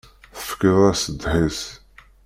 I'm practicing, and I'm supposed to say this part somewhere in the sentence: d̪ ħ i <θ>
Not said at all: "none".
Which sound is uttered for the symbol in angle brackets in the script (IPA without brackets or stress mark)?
s